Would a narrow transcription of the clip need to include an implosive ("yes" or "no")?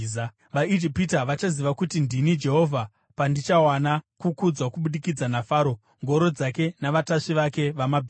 yes